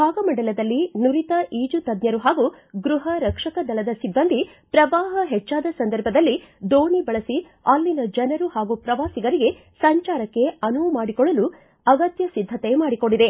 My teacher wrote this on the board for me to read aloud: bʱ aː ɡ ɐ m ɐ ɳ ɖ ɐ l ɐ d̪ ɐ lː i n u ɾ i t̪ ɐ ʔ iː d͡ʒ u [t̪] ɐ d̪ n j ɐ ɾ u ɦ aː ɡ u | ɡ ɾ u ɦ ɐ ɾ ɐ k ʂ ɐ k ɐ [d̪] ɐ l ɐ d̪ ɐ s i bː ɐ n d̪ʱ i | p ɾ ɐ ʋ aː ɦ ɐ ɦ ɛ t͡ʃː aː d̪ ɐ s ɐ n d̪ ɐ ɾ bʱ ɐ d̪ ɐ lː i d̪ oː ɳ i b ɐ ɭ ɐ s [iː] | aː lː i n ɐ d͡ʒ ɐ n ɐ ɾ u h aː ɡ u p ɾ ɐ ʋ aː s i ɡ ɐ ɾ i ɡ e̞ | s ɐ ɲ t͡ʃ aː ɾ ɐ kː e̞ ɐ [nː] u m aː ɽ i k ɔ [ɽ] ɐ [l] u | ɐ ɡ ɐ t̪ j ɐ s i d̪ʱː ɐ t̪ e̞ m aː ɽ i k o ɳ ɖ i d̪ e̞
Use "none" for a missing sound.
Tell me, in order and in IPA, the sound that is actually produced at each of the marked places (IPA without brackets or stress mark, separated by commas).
t̪, d̪, i, n, ɭ, l